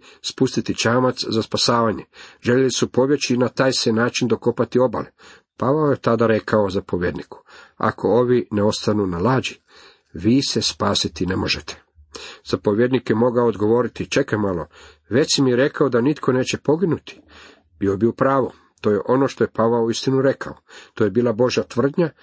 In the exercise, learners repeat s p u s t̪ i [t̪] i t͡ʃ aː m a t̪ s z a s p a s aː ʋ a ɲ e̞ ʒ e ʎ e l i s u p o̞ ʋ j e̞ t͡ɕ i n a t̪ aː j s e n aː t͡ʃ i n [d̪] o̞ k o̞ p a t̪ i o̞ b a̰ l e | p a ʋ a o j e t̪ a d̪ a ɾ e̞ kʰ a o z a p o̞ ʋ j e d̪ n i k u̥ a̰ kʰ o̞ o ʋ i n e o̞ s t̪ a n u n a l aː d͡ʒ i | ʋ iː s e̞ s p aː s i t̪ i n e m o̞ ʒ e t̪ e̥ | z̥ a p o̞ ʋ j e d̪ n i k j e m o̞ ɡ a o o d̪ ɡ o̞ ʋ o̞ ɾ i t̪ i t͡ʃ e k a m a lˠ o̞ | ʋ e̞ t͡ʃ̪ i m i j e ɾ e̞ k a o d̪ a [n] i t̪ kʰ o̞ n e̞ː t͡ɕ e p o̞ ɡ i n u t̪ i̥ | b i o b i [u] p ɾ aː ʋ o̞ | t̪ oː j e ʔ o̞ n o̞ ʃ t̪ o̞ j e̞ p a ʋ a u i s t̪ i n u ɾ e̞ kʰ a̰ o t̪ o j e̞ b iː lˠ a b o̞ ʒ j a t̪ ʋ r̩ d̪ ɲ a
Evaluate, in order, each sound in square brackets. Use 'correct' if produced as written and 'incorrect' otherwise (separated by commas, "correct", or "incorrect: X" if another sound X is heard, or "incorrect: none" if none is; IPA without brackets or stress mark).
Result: correct, correct, correct, correct